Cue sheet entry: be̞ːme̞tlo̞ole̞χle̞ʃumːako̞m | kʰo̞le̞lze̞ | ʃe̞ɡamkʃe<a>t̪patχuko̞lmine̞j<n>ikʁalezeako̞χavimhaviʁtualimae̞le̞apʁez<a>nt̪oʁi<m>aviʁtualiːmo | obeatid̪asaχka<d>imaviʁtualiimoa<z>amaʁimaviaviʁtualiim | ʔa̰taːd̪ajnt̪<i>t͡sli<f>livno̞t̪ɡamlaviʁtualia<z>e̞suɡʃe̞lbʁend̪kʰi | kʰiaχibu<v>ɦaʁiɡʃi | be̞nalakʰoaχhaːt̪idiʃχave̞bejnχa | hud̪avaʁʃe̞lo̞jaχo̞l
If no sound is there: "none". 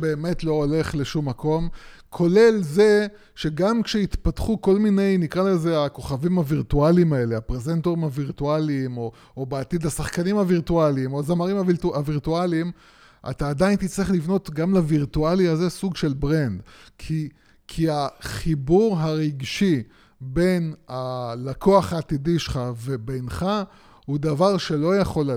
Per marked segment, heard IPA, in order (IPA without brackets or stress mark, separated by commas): i, n, e, m, n, z, i, χ, z, ʁ